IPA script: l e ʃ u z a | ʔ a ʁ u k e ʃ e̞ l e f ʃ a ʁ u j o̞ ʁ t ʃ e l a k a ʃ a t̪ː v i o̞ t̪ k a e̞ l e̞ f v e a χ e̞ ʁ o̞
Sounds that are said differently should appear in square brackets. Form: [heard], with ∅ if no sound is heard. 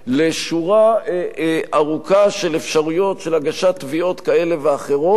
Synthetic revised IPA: l e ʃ u [ʁ] a | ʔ a ʁ u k [a] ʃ e̞ l e f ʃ a ʁ u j o̞ [∅] t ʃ e l a [ɡ] a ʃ a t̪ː v i o̞ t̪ k a e̞ l e̞ [∅] v e a χ e̞ ʁ o̞